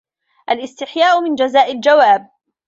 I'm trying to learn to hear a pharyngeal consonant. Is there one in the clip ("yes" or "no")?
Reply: yes